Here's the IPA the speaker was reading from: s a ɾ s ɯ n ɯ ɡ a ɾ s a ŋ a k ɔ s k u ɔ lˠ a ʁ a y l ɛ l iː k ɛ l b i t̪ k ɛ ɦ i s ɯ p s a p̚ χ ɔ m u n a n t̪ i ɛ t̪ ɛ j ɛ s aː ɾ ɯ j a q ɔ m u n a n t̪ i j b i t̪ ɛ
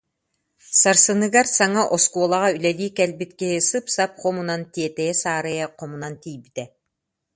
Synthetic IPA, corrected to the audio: s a ɾ s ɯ n ɯ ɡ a ɾ s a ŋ a ʔ ɔ s k u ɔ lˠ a ʁ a y l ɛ l iː k ɛ l b i t̪ k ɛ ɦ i s ɯ p s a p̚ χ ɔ m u n a n t̪ i ɛ t̪ ɛ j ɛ s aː ɾ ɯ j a q ɔ m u n a n t̪ i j b i t̪ ɛ

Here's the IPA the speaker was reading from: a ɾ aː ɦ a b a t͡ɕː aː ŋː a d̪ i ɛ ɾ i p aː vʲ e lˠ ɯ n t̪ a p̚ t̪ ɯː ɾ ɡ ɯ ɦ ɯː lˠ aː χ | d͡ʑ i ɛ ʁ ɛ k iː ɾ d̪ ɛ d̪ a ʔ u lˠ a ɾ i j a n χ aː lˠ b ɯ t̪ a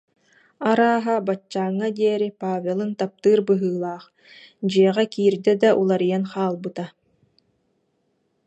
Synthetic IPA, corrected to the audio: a ɾ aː ɦ a b a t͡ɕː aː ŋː a d̪ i ɛ ɾ i p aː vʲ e lˠ ɯ n t̪ a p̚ t̪ ɯː ɾ b ɯ ɦ ɯː lˠ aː χ | d͡ʑ i ɛ ʁ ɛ k iː ɾ d̪ ɛ d̪ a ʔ u lˠ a ɾ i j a n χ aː lˠ b ɯ t̪ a

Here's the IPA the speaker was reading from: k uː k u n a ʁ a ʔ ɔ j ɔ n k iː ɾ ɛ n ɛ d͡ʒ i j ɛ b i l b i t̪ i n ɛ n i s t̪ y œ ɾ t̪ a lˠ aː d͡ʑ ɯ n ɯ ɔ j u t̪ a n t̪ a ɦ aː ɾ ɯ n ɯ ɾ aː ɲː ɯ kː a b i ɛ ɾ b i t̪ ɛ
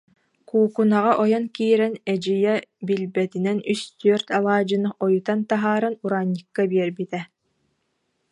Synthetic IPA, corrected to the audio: k uː k u n a ʁ a ʔ ɔ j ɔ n k iː ɾ ɛ n ɛ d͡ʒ i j ɛ b i l b ɛ t̪ i n ɛ n y s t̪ y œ ɾ t̪ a lˠ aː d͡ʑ ɯ n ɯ ɔ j u t̪ a n t̪ a ɦ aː ɾ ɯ n u ɾ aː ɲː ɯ kː a b i ɛ ɾ b i t̪ ɛ

